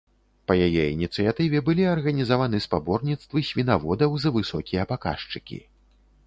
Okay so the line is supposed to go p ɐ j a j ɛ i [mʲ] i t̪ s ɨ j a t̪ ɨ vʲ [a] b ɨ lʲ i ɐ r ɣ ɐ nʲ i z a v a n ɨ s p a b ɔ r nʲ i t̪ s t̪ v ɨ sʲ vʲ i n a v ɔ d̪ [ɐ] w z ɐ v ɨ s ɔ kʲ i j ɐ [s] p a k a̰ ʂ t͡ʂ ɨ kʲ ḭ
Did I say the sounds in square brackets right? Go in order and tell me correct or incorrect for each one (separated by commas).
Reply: incorrect, incorrect, correct, incorrect